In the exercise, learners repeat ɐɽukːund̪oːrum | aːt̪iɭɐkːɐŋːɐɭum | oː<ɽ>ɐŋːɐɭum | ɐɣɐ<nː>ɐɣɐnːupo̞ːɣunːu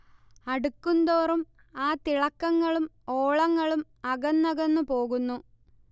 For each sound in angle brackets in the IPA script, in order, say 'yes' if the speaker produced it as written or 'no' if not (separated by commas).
no, yes